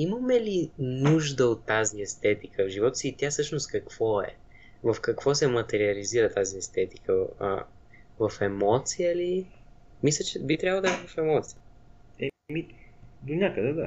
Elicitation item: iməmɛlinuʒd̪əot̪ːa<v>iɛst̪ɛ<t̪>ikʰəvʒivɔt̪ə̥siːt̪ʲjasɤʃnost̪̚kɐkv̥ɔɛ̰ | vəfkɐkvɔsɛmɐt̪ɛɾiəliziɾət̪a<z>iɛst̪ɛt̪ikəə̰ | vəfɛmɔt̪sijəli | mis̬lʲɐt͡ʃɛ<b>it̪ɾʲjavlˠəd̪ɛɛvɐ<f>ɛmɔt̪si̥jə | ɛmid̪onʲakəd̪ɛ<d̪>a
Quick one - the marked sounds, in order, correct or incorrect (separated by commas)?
incorrect, correct, correct, correct, correct, correct